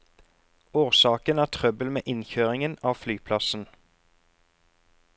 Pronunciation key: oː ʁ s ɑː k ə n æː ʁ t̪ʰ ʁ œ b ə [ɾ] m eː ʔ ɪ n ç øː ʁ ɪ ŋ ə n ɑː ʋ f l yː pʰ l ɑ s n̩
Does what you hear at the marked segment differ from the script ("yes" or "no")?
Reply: yes